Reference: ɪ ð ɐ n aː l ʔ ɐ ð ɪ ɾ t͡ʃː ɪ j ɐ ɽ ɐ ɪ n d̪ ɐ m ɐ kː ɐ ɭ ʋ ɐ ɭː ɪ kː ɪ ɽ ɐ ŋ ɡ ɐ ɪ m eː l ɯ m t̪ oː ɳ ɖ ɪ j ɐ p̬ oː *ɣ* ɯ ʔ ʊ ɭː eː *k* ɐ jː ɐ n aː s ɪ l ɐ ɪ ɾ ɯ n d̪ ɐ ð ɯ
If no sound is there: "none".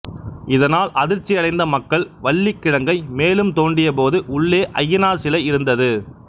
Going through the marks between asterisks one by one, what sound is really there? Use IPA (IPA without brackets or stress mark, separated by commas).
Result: ð, ʔ